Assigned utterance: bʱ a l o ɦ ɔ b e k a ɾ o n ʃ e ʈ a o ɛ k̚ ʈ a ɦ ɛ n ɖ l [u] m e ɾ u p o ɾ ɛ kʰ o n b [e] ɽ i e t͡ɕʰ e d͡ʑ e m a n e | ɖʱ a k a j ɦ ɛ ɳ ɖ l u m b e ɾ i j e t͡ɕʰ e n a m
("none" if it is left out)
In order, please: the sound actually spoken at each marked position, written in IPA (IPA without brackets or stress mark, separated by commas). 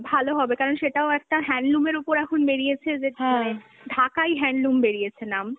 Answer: u, e